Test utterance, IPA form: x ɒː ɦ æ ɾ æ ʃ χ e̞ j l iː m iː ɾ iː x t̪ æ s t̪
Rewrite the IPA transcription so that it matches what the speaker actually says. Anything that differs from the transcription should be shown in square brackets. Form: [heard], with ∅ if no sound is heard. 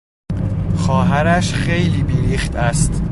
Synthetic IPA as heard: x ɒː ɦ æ ɾ æ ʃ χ e̞ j l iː [b] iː ɾ iː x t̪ æ s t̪